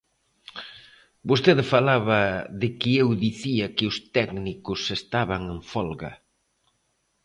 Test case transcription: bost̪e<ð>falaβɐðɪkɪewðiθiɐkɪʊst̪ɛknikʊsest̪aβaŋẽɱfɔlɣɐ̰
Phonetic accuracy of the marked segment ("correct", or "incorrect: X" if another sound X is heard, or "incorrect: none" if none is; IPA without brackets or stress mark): correct